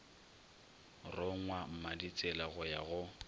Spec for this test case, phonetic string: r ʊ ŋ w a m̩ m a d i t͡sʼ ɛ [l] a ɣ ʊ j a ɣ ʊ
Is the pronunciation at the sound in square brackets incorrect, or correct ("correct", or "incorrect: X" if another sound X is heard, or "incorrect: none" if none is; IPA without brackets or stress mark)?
correct